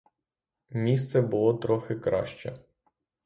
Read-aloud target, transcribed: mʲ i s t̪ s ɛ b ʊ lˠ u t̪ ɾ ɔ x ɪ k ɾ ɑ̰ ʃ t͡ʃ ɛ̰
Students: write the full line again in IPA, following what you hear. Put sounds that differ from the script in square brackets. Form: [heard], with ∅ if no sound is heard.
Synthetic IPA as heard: mʲ i s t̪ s ɛ b ʊ lˠ [ɔ] t̪ ɾ ɔ x ɪ k ɾ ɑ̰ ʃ t͡ʃ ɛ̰